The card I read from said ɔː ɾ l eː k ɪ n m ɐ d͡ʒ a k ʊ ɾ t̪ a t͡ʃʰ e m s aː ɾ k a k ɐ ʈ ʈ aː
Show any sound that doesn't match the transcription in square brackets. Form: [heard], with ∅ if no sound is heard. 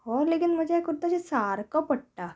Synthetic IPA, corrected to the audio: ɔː ɾ l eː k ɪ n m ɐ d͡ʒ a k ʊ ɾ t̪ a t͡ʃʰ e [∅] s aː ɾ k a [p] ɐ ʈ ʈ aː